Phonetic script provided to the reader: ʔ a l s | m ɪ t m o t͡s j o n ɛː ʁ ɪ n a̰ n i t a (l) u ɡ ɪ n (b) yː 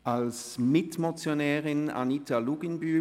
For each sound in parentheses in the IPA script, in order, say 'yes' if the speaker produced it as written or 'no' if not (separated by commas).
yes, yes